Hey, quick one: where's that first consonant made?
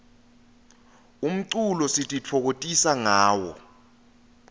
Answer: lips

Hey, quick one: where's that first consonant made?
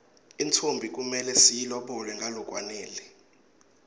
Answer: tongue tip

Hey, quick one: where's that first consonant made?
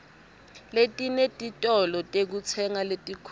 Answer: tongue tip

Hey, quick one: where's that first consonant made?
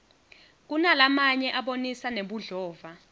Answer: velum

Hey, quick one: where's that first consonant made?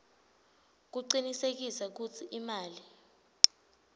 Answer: velum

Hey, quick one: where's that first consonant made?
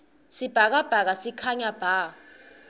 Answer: tongue tip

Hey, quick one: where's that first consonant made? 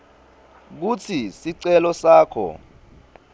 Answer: velum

